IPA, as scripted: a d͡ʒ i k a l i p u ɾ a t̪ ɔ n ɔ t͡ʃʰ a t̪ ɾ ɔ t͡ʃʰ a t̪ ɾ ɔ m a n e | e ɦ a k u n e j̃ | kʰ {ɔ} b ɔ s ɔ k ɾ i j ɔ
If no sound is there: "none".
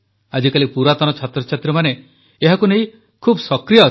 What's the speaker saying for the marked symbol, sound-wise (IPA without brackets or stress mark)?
u